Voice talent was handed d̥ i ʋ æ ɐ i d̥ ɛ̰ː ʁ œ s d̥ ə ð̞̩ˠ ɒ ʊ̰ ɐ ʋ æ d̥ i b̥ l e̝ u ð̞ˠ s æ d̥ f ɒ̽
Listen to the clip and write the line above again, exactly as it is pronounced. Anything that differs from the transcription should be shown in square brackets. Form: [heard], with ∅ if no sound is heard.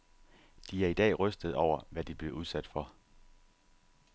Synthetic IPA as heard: d̥ i [∅] æ ɐ i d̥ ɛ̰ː ʁ œ s d̥ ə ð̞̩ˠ ɒ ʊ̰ ɐ ʋ æ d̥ i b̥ l e̝ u ð̞ˠ s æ d̥ f ɒ̽

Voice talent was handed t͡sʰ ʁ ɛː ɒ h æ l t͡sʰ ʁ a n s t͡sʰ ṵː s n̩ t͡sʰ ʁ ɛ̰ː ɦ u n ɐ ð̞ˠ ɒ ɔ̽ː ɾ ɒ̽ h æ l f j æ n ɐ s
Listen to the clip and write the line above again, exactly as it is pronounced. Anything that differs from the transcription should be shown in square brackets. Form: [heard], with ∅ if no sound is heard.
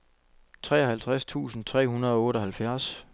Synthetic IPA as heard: t͡sʰ ʁ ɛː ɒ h æ l t͡sʰ ʁ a [∅] s t͡sʰ ṵː s n̩ t͡sʰ ʁ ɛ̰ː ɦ u n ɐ ð̞ˠ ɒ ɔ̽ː ɾ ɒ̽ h æ l f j æ [∅] ɐ s

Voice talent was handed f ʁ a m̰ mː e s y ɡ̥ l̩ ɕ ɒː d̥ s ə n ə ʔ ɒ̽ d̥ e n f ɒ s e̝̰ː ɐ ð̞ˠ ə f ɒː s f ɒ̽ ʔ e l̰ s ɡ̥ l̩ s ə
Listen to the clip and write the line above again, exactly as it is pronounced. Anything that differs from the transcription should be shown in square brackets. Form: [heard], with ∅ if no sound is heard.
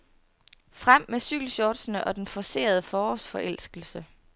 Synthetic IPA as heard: f ʁ a m̰ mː e s y ɡ̥ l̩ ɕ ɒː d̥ s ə n ə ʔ ɒ̽ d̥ e n f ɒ s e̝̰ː ɐ ð̞ˠ ə f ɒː s f ɒ̽ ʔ e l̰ s ɡ̥ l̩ s ə

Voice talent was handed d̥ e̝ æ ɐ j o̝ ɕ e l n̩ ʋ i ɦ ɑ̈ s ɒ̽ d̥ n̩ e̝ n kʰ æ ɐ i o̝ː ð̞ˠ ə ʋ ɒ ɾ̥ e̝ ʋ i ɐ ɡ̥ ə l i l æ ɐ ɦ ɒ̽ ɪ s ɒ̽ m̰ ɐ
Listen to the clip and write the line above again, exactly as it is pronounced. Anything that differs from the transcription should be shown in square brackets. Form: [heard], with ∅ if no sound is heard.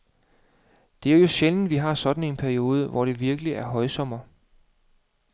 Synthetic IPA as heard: d̥ e̝ æ ɐ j o̝ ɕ e l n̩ ʋ i ɦ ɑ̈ s ɒ̽ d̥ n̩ e̝ n [pʰ] æ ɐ i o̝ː ð̞ˠ ə ʋ ɒ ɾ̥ e̝ ʋ i ɐ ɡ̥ ə l i [∅] æ ɐ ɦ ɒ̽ ɪ s ɒ̽ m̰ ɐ

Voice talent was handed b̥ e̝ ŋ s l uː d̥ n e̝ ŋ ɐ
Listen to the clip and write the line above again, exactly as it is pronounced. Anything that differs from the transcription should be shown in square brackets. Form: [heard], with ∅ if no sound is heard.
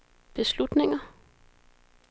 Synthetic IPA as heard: b̥ e̝ [∅] s l [u] d̥ n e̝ ŋ ɐ

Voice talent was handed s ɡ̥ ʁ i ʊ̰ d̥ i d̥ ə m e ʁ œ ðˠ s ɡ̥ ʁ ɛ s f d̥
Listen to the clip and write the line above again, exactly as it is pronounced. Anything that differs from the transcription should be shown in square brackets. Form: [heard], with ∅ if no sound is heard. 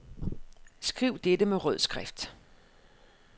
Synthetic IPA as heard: s ɡ̥ ʁ i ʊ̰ d̥ [e] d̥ ə m e ʁ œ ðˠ s ɡ̥ ʁ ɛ [∅] f d̥

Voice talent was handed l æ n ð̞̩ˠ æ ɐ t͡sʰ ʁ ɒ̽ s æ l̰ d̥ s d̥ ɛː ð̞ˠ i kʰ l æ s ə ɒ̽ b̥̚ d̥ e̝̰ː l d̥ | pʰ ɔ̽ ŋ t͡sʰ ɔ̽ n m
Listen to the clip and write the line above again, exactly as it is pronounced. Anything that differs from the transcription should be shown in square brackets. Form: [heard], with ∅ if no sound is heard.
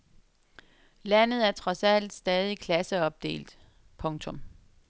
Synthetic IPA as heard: l æ n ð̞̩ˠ æ ɐ t͡sʰ ʁ ɒ̽ s æ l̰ d̥ s d̥ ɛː ð̞ˠ i kʰ l æ s ə ɒ̽ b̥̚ d̥ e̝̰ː l d̥ | pʰ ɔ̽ ŋ t͡sʰ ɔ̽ [∅] m

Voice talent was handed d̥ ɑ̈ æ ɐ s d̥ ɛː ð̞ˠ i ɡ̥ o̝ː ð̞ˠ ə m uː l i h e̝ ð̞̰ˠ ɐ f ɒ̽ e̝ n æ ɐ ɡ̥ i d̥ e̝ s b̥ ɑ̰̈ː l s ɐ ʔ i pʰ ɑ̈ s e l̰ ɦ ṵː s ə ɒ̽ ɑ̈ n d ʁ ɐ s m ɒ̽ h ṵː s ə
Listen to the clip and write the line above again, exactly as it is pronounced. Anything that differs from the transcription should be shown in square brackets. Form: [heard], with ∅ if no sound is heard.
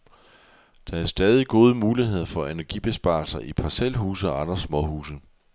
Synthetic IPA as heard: d̥ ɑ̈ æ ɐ s d̥ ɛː ð̞ˠ i ɡ̥ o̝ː ð̞ˠ ə m uː l i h e̝ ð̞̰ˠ ɐ f ɒ̽ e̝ n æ ɐ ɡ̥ i [b̥] e̝ s b̥ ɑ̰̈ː l s ɐ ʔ i pʰ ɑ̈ s e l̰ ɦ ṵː s ə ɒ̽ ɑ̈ n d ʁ ɐ s m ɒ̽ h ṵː s ə

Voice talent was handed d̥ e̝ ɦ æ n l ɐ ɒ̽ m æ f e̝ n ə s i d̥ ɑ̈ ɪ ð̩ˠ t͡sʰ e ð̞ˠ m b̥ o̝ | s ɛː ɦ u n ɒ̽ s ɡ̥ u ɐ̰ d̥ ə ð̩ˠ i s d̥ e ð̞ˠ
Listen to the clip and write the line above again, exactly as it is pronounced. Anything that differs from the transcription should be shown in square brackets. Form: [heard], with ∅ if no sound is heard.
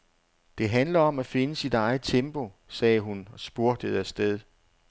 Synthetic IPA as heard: d̥ e̝ ɦ æ n l ɐ ɒ̽ m æ f e̝ n ə s i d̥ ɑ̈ ɪ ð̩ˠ t͡sʰ e [∅] m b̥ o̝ | s ɛː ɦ u n ɒ̽ s [b̥] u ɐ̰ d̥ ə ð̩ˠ [æ] s d̥ e ð̞ˠ

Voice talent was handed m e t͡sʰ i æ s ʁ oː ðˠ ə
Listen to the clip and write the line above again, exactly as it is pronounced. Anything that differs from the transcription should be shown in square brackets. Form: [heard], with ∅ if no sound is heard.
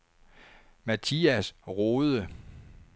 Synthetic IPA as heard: m [æ] t͡sʰ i æ s ʁ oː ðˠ ə

